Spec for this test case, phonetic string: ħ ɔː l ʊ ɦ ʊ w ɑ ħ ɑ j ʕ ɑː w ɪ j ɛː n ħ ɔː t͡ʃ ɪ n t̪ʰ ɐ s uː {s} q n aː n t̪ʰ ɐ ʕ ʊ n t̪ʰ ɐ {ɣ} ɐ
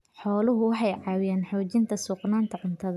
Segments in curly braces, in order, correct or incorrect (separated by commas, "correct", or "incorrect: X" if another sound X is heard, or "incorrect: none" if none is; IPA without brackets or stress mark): incorrect: none, incorrect: ð